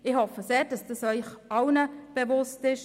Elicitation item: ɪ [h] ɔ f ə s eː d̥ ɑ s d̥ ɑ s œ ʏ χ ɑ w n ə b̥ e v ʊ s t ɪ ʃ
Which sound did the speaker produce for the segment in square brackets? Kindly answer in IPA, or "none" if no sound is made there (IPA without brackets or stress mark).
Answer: h